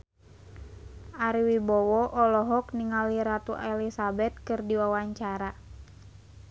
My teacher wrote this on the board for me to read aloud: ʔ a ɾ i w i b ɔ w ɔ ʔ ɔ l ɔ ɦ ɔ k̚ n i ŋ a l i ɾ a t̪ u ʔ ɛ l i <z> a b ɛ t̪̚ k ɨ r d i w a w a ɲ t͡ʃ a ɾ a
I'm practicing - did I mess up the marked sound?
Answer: yes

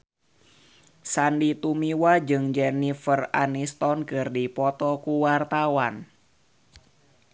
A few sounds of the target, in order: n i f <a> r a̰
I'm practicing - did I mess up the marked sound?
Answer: yes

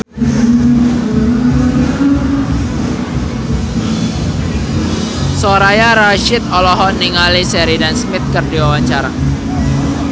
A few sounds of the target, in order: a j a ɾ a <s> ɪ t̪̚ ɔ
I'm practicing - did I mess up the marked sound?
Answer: yes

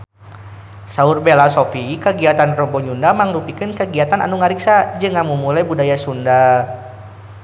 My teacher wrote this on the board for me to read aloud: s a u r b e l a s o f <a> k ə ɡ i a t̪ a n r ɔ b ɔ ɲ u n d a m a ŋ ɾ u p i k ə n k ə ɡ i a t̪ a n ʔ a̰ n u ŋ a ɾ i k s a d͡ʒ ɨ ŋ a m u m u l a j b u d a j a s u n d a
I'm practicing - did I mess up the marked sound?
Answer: yes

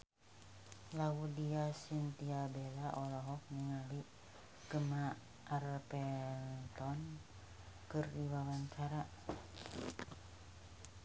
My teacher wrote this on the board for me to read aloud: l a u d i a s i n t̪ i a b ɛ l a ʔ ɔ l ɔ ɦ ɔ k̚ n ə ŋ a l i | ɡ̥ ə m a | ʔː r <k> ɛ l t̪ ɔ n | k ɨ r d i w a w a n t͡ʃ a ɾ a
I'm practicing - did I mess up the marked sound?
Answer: yes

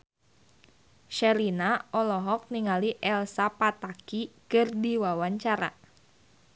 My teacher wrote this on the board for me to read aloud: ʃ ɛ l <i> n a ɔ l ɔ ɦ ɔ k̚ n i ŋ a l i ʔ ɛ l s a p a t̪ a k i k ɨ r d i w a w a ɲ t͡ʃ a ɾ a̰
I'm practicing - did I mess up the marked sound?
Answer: no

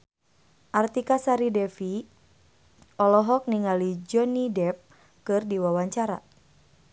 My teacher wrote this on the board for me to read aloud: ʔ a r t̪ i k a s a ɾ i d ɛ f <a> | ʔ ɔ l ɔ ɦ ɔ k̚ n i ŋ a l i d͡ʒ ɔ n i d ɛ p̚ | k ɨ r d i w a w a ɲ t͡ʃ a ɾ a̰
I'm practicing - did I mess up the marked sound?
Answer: yes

